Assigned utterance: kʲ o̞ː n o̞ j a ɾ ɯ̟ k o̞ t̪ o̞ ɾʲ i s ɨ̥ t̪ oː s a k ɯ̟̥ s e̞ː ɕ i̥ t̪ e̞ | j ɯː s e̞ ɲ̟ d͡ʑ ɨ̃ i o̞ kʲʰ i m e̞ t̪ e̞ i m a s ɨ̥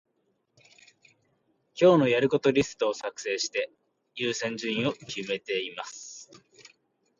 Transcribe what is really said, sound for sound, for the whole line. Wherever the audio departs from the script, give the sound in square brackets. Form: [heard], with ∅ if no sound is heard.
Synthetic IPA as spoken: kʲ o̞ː n o̞ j a ɾ ɯ̟ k o̞ t̪ o̞ ɾʲ i s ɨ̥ t̪ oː s a k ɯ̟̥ s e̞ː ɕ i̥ t̪ e̞ | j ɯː s [ẽ̞] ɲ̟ d͡ʑ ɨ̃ [ĩ] o̞ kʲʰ i m e̞ t̪ e̞ i m a s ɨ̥